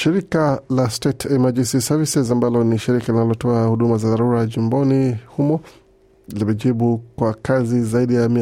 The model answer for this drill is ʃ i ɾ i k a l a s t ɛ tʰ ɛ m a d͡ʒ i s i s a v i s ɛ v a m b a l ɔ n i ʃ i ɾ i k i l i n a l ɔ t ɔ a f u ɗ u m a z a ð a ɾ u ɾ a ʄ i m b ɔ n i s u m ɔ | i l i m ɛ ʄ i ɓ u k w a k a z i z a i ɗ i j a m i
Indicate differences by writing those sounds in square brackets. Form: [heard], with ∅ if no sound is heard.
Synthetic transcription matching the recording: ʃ i ɾ i k a l a s t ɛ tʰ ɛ m a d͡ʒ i s i s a v i s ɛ [z] a m b a l ɔ n i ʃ i ɾ i k [a] l i n a l ɔ t ɔ a [h] u ɗ u m a z a ð a ɾ u ɾ a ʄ i m b ɔ n i [h] u m ɔ | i l i m ɛ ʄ i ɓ u k w a k a z i z a i ɗ i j a m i